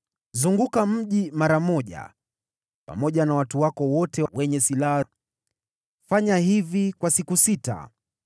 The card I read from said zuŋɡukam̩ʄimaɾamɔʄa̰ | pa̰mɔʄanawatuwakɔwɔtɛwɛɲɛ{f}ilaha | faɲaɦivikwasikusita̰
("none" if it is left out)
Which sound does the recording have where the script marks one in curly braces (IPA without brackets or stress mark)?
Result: s